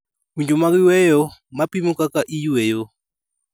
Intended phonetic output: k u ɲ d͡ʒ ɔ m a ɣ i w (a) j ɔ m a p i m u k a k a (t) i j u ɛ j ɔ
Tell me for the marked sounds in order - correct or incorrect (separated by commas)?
incorrect, incorrect